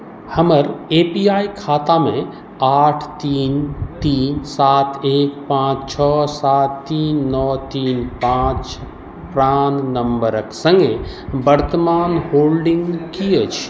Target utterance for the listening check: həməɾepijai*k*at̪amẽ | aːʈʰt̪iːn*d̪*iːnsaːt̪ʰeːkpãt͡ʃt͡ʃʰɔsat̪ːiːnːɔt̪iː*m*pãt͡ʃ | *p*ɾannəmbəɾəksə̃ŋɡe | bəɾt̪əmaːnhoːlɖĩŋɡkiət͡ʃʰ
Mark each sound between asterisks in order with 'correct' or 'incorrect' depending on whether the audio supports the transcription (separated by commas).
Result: incorrect, incorrect, incorrect, correct